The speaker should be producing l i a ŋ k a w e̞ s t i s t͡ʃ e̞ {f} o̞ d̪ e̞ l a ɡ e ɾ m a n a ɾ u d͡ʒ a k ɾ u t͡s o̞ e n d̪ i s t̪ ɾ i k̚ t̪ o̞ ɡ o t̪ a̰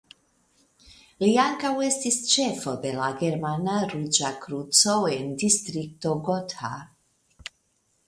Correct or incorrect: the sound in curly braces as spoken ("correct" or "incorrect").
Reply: correct